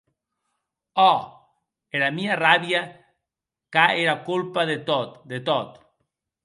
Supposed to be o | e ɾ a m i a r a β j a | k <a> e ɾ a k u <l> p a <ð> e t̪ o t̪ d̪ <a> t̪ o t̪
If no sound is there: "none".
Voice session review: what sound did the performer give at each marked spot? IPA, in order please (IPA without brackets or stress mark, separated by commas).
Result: a, l, ð, e